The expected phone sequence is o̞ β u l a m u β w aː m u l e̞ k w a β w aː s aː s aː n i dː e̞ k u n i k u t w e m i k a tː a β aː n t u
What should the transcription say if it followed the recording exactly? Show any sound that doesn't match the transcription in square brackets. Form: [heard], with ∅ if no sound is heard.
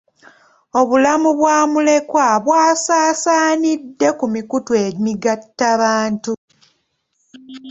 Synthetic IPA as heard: o̞ β u l a m u β w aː m u l e̞ k w a β w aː s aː s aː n i dː e̞ k u [m] i k u t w e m i [ɡ] a tː a β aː n t u